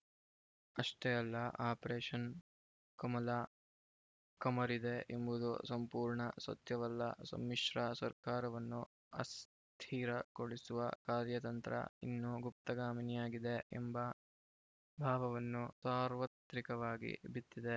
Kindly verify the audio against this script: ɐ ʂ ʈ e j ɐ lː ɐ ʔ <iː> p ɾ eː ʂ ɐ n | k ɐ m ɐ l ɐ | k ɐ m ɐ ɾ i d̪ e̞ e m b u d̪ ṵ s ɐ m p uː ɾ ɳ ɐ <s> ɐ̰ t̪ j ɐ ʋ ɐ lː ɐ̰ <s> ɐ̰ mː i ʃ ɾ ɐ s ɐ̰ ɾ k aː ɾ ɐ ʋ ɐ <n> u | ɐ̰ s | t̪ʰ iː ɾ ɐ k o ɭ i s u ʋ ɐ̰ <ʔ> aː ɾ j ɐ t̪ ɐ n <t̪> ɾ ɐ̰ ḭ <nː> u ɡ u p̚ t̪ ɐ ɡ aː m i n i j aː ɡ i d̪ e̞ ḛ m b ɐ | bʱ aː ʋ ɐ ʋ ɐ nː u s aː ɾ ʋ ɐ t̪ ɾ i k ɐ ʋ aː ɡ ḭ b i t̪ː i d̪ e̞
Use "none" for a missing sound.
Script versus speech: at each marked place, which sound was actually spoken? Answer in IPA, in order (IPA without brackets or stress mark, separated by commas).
aː, s, s, nː, k, t̪, nː